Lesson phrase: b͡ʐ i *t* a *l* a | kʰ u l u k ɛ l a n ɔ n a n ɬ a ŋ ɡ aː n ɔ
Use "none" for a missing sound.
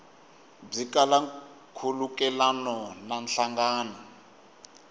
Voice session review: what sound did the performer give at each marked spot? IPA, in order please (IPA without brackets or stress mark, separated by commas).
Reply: k, l